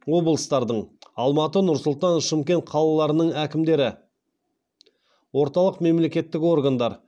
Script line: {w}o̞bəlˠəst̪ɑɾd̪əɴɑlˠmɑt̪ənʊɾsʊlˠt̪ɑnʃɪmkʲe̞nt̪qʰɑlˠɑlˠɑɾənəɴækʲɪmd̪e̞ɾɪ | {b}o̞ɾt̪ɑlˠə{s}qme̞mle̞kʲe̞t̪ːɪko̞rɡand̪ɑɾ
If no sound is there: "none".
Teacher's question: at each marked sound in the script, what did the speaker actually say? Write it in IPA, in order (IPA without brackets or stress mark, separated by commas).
w, w, none